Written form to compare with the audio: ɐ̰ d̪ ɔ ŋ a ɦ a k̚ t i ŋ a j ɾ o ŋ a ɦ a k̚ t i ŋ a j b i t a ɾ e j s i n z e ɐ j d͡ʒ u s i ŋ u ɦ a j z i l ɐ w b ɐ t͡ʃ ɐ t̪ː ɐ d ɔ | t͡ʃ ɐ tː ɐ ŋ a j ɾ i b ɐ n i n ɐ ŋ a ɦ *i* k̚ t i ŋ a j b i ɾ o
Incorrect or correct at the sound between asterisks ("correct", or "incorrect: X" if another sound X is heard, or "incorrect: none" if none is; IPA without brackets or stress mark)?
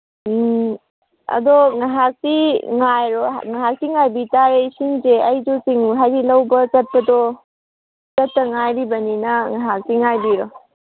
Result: incorrect: a